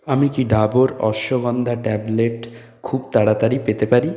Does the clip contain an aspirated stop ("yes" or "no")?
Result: yes